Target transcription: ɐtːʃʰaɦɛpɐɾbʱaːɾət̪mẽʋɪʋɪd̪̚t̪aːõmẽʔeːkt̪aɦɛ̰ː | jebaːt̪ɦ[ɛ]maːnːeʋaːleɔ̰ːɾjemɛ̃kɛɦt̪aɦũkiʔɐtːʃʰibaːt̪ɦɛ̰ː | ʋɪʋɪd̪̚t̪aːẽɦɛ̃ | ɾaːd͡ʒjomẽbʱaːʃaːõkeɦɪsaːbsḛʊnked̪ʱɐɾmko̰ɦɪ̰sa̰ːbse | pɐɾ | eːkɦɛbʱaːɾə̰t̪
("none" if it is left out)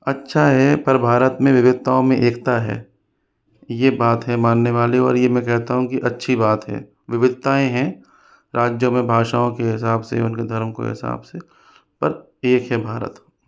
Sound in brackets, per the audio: ɛ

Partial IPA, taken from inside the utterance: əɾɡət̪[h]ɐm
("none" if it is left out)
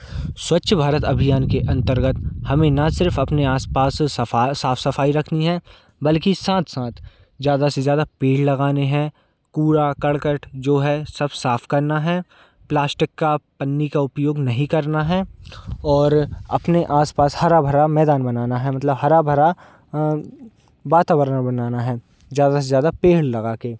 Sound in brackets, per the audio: h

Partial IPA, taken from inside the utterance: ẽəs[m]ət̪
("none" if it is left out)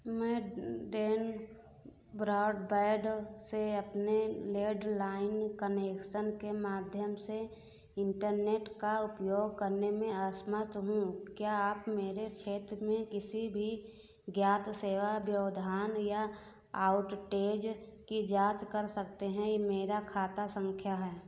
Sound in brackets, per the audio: m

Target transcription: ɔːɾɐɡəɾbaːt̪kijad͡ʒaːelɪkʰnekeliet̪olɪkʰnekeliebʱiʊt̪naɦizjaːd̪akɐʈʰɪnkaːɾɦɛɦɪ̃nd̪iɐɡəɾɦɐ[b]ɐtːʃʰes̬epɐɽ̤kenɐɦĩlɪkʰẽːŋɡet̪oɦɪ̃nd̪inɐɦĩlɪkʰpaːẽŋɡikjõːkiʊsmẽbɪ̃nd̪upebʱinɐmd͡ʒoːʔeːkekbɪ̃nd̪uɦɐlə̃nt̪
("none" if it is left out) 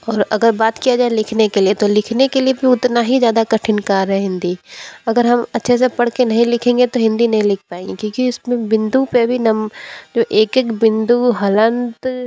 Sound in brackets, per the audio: m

